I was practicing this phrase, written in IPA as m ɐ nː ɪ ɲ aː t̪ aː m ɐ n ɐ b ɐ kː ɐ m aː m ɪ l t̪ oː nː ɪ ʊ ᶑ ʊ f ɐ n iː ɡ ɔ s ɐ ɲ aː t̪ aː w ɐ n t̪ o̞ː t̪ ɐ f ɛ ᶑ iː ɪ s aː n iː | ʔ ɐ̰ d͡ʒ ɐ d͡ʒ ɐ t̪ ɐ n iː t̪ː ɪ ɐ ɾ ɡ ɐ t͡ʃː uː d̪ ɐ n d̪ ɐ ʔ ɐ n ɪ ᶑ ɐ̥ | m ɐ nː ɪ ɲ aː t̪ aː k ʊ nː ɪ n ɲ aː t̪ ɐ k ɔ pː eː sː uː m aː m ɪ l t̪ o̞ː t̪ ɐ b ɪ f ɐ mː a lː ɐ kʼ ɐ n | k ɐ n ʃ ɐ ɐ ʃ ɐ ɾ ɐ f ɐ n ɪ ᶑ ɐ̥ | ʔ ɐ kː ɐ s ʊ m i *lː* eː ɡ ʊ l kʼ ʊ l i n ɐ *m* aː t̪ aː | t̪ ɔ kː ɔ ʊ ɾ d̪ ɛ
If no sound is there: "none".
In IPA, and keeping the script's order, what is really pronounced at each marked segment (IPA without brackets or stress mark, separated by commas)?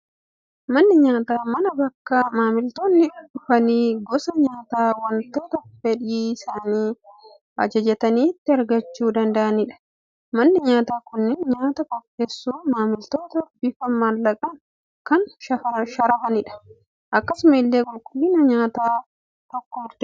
lː, ɲ